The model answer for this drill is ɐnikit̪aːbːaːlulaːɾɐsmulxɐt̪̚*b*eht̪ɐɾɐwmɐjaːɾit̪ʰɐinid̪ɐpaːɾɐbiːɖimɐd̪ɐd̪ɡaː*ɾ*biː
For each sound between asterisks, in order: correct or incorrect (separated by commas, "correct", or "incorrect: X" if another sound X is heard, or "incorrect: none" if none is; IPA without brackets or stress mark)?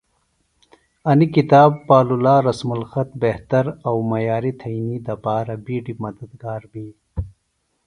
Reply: correct, correct